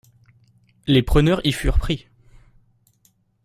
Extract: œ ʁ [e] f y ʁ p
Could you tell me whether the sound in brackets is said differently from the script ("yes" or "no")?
yes